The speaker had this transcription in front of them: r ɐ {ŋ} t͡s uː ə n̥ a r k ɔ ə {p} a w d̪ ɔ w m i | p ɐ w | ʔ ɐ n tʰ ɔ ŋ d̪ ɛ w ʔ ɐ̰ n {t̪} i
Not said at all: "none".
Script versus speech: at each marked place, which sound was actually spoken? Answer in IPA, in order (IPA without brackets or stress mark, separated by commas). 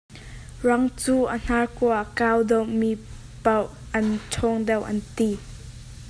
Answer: ŋ, k, t̪